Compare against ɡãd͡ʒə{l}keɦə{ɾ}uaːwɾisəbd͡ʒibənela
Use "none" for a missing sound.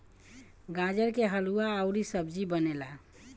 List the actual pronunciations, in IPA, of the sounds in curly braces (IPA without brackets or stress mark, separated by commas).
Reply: ɾ, l